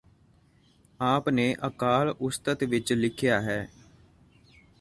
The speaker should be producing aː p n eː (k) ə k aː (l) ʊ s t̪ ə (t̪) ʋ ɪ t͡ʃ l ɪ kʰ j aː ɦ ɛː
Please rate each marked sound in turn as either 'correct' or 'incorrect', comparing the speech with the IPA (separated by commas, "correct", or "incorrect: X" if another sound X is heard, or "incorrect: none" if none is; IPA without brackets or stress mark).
incorrect: ʔ, correct, correct